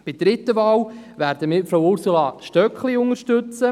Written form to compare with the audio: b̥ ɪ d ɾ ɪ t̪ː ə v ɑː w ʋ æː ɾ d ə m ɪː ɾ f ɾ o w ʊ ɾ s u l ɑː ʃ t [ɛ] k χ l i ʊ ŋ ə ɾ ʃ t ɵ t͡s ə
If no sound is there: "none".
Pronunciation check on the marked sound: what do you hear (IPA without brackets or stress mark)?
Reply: œ